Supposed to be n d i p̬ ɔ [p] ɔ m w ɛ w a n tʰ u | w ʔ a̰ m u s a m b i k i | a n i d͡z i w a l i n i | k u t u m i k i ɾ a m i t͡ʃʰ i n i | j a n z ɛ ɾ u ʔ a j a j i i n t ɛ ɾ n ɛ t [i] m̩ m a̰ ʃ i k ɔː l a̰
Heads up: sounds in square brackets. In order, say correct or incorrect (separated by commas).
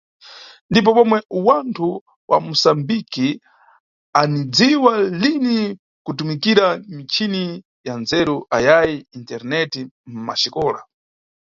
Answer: correct, correct